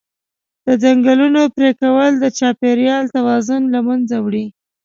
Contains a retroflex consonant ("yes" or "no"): yes